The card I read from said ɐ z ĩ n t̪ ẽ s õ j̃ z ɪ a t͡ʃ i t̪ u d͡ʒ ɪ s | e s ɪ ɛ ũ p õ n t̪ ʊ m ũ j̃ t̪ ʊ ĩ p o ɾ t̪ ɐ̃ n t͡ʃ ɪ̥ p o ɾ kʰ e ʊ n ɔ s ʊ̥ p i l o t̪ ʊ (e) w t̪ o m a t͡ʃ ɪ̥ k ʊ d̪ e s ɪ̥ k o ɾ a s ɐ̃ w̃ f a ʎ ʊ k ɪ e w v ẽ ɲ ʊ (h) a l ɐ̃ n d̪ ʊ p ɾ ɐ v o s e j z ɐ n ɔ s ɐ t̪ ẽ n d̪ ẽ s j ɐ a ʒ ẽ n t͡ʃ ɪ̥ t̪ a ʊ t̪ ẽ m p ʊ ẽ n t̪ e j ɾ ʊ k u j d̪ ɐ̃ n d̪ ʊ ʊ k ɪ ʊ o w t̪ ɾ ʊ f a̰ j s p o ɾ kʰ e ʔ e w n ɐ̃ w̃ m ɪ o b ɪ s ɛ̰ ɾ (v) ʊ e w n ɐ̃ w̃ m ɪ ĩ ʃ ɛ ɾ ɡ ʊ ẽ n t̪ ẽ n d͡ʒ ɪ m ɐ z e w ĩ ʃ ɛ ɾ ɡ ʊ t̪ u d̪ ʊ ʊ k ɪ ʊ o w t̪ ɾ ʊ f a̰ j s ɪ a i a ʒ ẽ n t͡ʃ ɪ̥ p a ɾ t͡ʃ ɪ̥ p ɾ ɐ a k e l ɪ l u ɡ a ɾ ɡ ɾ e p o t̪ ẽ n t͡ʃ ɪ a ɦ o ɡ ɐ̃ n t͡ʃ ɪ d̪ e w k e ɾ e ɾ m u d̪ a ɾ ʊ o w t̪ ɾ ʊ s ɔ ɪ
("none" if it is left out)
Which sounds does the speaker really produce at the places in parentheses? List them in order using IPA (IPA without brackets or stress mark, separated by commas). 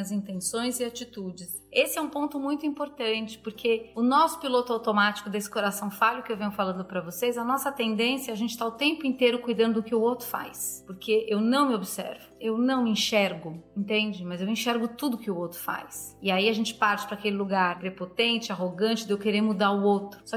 a, f, v